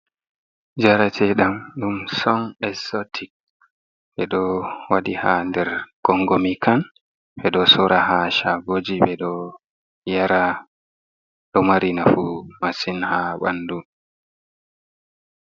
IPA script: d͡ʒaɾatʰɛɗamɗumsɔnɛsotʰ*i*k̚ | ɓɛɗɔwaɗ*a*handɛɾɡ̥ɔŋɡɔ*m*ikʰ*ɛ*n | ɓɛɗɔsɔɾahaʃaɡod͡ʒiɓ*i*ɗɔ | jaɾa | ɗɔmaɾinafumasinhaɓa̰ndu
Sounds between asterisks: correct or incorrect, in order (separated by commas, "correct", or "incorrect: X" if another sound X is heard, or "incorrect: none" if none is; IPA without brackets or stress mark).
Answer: correct, incorrect: i, correct, incorrect: a, incorrect: ɛ